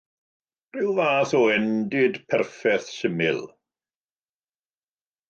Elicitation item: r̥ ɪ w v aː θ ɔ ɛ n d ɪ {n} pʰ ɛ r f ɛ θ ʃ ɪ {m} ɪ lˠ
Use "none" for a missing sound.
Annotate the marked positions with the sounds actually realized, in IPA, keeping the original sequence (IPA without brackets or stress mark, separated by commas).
d, m